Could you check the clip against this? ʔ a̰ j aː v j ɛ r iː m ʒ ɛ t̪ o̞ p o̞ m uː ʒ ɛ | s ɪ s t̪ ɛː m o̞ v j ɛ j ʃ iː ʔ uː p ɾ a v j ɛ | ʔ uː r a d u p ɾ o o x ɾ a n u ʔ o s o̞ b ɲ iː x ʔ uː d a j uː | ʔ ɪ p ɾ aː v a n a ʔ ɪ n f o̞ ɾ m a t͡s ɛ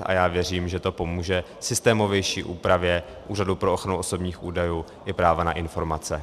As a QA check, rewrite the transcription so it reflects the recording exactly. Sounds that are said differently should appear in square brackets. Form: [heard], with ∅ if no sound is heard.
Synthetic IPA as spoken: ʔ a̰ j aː v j ɛ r iː m ʒ ɛ t̪ o̞ p o̞ m uː ʒ ɛ | s ɪ s t̪ ɛː m o̞ v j ɛ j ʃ iː ʔ uː p ɾ a v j ɛ | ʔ uː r a d u p ɾ o o x ɾ a n u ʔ o s o̞ b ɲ iː x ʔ uː d a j uː | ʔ ɪ p ɾ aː v a n a ʔ ɪ n f o̞ ɾ m a t͡s ɛ